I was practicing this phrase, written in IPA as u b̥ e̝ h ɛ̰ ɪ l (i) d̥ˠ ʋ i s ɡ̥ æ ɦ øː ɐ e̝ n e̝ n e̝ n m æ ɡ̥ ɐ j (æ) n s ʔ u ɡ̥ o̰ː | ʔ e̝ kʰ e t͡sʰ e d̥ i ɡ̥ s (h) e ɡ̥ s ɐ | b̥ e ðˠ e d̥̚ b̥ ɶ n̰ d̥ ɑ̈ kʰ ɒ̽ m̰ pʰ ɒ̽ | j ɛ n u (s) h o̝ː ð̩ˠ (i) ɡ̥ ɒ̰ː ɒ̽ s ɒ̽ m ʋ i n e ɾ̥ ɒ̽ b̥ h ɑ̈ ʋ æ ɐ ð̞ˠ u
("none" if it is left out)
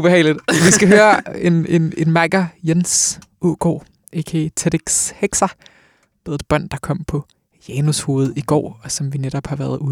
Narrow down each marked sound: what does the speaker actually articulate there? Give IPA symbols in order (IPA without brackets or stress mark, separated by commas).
i, e, h, s, i